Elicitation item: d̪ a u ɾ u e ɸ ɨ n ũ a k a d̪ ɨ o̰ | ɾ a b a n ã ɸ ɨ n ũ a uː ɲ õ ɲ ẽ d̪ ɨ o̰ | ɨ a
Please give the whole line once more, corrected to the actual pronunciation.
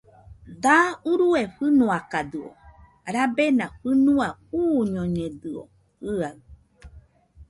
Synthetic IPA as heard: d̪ a u ɾ u e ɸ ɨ n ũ a k a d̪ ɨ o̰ | ɾ a b e n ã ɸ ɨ n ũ a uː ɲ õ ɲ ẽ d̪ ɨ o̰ | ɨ a